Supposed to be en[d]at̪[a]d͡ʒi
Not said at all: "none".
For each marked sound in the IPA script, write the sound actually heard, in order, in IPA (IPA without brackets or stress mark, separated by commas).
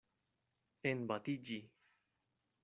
b, i